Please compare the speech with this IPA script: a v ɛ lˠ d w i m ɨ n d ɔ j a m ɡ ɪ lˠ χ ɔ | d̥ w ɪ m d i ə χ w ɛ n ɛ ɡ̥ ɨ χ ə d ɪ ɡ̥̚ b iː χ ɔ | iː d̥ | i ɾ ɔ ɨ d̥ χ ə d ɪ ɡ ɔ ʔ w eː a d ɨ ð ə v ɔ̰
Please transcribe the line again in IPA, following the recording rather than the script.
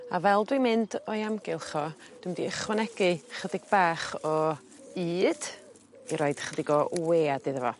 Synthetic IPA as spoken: a v ɛ lˠ d w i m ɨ n d ɔ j a m ɡ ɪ lˠ χ ɔ | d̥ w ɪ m d i ə χ w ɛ n ɛ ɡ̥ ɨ χ ə d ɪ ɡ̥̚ b aː χ ɔ | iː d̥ | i ɾ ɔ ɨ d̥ χ ə d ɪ ɡ ɔ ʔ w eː a d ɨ ð ə v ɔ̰

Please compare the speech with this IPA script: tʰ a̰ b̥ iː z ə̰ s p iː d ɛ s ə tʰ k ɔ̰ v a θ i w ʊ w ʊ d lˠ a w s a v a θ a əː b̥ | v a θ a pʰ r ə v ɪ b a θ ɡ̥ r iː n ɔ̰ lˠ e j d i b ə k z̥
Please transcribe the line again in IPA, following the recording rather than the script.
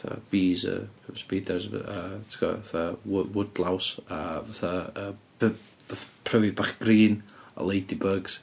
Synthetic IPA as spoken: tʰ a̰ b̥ iː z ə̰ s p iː d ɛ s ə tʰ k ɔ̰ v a θ a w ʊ w ʊ d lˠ a w s a v a θ a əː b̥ | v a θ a pʰ r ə v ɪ b a χ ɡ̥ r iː n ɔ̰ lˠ e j d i b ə ɡ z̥

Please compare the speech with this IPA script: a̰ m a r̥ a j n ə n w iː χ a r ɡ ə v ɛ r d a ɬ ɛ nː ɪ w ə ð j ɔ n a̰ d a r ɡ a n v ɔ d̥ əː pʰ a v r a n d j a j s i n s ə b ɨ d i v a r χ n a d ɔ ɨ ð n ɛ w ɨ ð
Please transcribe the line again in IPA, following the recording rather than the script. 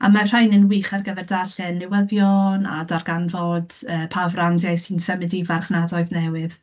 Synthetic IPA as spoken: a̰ m a r̥ a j n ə n w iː χ a r ɡ ə v ɛ r d a ɬ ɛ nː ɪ w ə ð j ɔ n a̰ d a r ɡ a n v ɔ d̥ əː pʰ a v r a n d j a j s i n s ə m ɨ d i v a r χ n a d ɔ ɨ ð n ɛ w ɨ ð

